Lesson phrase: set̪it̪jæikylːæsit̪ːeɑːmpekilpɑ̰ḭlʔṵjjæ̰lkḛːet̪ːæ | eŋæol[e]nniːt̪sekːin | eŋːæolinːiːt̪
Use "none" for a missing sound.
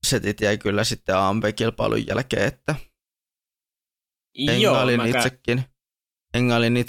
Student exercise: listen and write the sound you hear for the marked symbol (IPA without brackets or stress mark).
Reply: i